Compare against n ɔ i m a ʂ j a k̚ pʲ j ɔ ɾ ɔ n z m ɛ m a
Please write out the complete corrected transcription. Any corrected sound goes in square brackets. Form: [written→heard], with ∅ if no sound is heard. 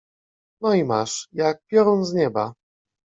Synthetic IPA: n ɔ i m a ʂ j a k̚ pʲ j ɔ ɾ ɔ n z [m→ɲ] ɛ [m→b] a